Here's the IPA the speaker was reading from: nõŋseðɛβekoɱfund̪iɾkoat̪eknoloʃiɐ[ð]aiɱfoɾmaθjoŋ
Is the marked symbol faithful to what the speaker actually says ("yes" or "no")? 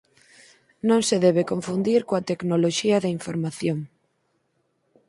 yes